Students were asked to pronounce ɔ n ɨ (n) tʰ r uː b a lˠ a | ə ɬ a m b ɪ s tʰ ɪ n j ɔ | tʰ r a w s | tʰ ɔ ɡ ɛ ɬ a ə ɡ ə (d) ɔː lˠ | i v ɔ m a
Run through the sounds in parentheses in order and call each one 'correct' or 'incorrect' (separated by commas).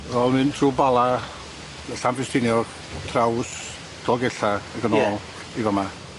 correct, incorrect